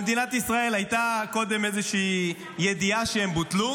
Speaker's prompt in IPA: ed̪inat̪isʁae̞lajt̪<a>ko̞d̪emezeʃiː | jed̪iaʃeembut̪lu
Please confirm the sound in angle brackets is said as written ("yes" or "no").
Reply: yes